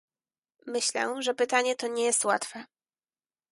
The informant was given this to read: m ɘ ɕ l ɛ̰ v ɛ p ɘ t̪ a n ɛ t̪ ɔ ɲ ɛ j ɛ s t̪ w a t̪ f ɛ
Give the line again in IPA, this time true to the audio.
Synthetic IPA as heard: m ɘ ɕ l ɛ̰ ʐ ɛ p ɘ t̪ a ɲ ɛ t̪ ɔ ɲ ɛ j ɛ s t̪ w a t̪ f ɛ